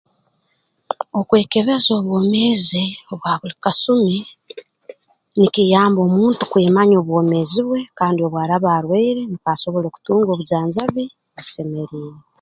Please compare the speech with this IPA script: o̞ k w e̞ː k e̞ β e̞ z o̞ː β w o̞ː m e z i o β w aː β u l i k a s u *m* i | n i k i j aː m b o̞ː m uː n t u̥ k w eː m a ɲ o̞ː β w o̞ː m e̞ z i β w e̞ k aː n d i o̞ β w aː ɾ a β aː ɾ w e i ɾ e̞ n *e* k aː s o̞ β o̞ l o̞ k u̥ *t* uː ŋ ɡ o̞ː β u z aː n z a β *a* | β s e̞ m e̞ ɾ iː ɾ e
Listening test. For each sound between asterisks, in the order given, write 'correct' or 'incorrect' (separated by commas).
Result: correct, incorrect, correct, incorrect